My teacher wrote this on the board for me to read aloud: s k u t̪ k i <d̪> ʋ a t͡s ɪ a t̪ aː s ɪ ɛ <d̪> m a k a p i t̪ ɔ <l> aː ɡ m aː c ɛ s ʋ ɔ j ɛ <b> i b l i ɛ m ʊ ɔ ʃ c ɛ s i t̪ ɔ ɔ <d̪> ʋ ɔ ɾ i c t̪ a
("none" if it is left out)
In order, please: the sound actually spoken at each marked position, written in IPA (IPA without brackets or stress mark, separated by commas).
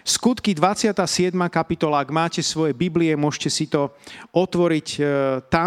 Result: d̪, d̪, l, b, t̪